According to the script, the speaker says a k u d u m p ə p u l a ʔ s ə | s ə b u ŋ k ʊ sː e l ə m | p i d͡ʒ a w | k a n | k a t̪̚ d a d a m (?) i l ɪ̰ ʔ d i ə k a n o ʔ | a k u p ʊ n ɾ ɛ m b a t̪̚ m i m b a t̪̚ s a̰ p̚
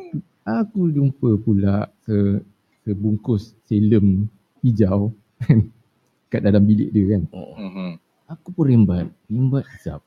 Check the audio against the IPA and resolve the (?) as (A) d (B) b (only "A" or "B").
B